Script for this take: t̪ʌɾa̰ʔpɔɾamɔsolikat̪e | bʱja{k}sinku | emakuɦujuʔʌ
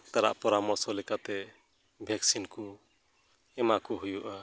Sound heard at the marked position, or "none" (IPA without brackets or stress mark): k